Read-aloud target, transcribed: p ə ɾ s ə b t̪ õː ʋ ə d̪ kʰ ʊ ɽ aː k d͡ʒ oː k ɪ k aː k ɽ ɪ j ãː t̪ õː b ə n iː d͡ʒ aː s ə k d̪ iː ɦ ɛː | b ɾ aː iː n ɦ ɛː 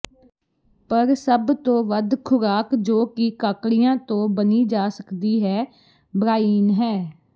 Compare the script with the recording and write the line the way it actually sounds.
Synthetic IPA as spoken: p ə ɾ s ə b t̪ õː ʋ ə d̪ kʰ ʊ ɾ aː k d͡ʒ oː k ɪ k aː k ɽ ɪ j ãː t̪ õː b ə n iː d͡ʒ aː s ə k d̪ iː ɦ ɛː | b ɾ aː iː n ɦ ɛː

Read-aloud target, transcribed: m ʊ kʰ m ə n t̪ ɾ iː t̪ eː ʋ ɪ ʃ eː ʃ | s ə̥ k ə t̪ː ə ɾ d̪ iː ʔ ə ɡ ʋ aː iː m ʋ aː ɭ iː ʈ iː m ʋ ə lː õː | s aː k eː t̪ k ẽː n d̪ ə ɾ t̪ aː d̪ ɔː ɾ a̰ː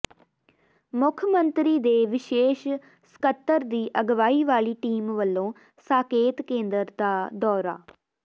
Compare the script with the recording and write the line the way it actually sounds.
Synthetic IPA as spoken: m ʊ kʰ m ə n t̪ ɾ iː d̪ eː ʋ ɪ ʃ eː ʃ | s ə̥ k ə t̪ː ə ɾ d̪ iː ʔ ə ɡ ʋ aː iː ʋ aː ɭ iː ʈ iː m ʋ ə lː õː | s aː k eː t̪ k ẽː n d̪ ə ɾ d̪ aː d̪ ɔː ɾ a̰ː

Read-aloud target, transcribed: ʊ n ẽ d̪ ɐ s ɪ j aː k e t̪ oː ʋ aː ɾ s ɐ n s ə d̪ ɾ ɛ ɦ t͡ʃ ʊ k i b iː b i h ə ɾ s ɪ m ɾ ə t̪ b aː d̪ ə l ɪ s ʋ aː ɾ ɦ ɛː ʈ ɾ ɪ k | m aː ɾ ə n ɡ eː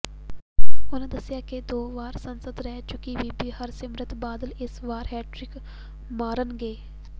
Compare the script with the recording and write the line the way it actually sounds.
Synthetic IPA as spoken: ʊ n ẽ d̪ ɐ s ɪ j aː k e d̪ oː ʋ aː ɾ s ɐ n s ə d̪ ɾ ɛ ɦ t͡ʃ ʊ k i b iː b i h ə ɾ s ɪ m ɾ ə t̪ b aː d̪ ə l ɪ s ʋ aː ɾ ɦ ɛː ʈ ɾ ɪ k | m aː ɾ ə n ɡ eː

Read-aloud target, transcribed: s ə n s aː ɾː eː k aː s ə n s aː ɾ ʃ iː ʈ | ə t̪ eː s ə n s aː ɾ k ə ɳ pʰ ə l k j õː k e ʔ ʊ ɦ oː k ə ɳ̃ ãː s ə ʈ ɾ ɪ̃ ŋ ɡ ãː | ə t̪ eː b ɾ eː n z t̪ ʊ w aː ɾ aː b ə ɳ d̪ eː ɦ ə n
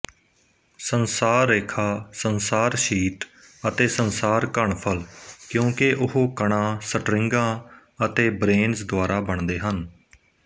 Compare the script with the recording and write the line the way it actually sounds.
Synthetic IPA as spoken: s ə n s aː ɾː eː kʰ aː s ə n s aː ɾ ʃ iː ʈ | ə t̪ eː s ə n s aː ɾ k ə ɳ pʰ ə l k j õː k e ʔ ʊ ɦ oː k ə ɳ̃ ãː s ə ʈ ɾ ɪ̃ ŋ ɡ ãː | ə t̪ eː b ɾ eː n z d̪ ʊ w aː ɾ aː b ə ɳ d̪ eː ɦ ə n

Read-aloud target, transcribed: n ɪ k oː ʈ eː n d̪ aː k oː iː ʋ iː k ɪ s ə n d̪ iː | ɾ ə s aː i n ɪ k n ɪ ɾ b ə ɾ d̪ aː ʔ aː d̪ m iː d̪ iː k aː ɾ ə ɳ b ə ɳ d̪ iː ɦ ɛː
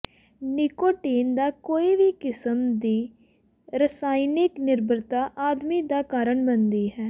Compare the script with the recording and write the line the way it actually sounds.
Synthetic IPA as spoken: n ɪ k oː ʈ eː n d̪ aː k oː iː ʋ iː k ɪ s ə m d̪ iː | ɾ ə s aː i n ɪ k n ɪ ɾ b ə ɾ t̪ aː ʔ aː d̪ m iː d̪ aː k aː ɾ ə ɳ b ə n d̪ iː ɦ ɛː

